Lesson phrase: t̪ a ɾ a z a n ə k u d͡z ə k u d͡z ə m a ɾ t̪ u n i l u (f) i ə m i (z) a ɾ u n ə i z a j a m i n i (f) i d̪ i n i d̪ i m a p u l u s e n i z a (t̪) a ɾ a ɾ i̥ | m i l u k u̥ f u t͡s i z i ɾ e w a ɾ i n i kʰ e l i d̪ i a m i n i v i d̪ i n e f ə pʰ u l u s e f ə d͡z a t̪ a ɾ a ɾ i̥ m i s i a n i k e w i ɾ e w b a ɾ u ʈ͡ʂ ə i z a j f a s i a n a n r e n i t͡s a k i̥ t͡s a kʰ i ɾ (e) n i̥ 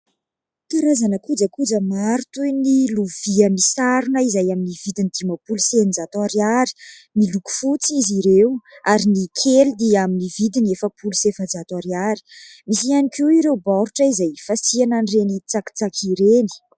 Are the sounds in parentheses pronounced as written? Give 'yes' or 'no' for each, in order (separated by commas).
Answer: no, no, no, yes, yes